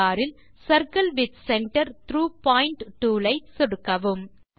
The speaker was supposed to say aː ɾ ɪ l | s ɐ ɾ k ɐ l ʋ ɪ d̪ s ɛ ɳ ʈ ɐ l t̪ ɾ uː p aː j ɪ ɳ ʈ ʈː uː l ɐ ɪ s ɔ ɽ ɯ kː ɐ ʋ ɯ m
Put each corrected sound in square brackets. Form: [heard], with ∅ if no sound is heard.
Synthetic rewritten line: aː ɾ ɪ l | s ɐ ɾ k ɐ l ʋ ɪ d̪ s ɛ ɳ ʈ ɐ [ɾ] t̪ ɾ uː p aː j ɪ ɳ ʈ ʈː uː l ɐ ɪ s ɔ ɽ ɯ kː ɐ ʋ ɯ m